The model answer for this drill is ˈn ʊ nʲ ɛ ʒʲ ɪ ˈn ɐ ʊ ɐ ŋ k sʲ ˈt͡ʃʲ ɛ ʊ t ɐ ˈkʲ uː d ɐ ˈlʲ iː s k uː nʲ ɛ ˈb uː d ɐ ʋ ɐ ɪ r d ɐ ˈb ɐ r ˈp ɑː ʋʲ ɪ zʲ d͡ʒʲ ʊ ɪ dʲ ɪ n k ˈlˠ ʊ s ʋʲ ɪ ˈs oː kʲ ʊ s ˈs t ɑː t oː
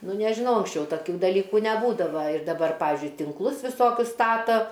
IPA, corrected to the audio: ˈn ʊ nʲ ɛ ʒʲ ɪ ˈn ɐ ʊ ɐ ŋ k sʲ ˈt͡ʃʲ ɛ ʊ t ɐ ˈkʲ uː d ɐ ˈlʲ iː k uː nʲ ɛ ˈb uː d ɐ ʋ ɐ ɪ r d ɐ ˈb ɐ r ˈp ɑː ʋʲ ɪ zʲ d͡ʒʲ ʊ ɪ tʲ ɪ ŋ k ˈlˠ ʊ s ʋʲ ɪ ˈs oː kʲ ʊ s ˈs t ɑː t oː